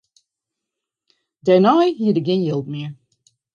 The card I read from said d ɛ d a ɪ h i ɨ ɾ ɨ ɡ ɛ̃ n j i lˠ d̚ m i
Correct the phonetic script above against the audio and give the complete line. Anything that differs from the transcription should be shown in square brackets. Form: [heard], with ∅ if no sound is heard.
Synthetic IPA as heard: d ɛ [n] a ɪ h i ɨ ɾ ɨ ɡ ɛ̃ n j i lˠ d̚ m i